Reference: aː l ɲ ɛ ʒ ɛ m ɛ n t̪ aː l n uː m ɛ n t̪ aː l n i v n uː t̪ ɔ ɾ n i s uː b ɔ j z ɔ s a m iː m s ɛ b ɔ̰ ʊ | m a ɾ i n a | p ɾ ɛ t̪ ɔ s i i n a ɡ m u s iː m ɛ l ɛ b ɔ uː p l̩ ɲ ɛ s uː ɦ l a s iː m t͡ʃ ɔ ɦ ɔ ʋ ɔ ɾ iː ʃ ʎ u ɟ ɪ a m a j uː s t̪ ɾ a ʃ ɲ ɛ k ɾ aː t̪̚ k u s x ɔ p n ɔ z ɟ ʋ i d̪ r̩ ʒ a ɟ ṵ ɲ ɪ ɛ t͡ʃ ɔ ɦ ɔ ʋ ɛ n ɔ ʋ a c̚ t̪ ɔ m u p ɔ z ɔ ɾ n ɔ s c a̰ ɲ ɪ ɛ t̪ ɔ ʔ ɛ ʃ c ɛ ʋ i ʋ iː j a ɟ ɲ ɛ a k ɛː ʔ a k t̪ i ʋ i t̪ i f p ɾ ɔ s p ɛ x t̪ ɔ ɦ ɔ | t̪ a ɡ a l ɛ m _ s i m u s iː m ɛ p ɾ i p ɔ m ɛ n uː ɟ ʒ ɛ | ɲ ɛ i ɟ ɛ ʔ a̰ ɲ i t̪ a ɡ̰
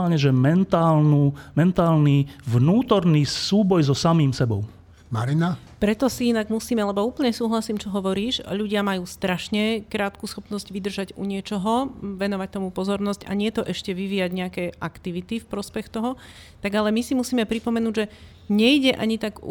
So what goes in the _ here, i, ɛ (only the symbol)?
i